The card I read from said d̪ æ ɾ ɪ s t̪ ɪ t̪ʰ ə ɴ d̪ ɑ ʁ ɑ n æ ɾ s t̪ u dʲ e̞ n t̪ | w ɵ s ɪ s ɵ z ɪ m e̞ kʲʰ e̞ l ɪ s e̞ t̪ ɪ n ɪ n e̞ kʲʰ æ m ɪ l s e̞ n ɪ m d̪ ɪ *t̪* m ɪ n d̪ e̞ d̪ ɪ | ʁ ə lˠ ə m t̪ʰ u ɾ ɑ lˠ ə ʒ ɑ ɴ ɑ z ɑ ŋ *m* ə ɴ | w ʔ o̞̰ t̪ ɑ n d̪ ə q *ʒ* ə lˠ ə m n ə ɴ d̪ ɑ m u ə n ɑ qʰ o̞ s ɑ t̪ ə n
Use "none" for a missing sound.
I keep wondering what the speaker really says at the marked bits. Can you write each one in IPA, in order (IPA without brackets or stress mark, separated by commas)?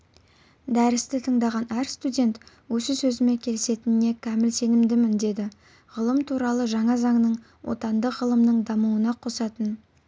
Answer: none, n, ʁ